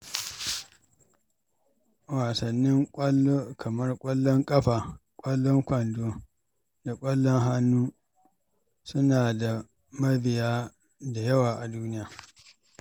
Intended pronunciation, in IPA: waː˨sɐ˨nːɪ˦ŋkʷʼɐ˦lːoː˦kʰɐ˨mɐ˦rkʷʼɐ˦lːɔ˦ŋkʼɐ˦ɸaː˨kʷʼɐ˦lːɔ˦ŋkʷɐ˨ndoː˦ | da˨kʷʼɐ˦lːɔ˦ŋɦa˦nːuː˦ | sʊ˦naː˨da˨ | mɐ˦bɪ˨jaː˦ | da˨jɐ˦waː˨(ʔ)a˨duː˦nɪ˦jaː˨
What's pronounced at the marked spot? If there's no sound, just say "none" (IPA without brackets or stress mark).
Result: ʔ